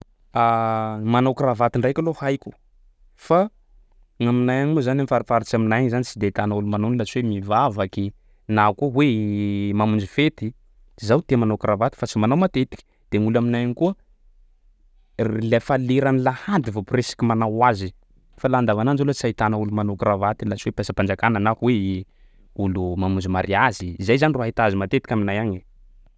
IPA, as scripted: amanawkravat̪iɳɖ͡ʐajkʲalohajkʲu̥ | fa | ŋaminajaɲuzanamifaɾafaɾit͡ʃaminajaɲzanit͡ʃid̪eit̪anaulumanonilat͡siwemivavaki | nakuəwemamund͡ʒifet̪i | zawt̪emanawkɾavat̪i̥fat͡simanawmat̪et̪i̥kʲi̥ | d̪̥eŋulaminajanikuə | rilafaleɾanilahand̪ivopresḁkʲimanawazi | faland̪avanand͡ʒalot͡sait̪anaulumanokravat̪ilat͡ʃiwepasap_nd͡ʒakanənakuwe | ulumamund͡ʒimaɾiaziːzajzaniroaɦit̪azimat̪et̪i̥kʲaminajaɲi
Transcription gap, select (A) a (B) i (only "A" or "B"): A